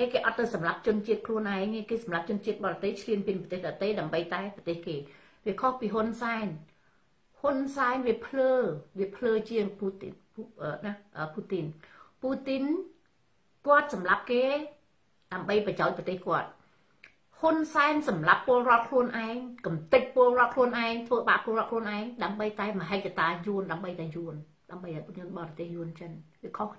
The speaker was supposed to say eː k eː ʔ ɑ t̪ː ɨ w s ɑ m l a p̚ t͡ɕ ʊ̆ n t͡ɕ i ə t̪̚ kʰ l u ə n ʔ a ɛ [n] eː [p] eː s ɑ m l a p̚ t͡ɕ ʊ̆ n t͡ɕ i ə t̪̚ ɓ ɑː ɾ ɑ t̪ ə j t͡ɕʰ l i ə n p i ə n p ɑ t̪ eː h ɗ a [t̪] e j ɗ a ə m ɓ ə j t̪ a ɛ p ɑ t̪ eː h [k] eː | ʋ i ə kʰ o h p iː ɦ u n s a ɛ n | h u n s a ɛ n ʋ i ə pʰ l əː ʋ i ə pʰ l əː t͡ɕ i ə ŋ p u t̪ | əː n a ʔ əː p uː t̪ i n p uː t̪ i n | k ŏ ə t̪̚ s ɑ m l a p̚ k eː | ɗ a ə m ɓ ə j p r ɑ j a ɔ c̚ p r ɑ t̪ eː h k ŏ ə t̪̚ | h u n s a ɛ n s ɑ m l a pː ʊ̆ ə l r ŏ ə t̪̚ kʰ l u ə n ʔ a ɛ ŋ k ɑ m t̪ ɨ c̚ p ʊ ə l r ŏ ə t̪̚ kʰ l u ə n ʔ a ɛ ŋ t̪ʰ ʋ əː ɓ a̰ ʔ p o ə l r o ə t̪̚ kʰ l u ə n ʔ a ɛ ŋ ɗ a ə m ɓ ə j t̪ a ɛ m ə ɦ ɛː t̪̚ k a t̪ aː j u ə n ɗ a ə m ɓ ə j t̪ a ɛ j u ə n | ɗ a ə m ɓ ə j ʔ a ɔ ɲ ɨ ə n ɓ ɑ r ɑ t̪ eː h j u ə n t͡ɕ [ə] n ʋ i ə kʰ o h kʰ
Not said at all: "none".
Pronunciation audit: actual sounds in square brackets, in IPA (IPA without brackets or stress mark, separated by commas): ŋ, k, t̪, k, ə